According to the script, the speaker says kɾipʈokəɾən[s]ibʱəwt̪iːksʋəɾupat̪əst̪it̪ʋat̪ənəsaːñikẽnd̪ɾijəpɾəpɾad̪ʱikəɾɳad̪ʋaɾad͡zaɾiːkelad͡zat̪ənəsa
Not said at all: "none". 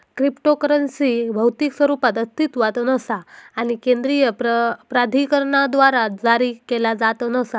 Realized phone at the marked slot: s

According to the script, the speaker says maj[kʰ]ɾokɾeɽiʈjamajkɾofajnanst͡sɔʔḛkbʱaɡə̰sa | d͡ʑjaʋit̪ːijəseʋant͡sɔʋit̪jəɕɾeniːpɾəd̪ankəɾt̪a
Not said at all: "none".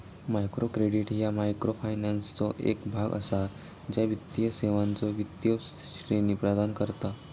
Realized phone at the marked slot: k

